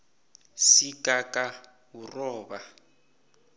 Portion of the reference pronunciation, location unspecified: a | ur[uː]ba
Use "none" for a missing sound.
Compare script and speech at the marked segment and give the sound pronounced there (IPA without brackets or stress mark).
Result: ɔː